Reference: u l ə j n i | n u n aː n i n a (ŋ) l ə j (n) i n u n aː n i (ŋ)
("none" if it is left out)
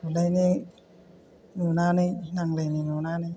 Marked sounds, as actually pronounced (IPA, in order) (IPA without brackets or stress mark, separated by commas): ŋ, n, none